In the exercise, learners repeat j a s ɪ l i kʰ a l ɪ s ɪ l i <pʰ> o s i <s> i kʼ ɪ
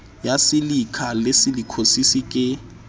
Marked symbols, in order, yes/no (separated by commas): no, yes